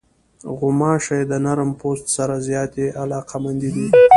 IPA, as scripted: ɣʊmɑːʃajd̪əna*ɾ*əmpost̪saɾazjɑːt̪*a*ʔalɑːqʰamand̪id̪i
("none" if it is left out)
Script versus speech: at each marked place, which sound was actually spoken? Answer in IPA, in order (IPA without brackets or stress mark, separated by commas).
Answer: ɾ, e